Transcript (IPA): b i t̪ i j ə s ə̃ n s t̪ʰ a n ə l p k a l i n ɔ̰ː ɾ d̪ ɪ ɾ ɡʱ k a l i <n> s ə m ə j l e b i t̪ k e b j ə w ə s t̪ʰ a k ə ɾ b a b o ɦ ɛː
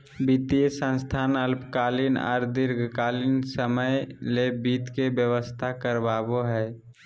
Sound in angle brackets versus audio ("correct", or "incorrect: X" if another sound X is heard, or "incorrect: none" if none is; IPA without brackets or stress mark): correct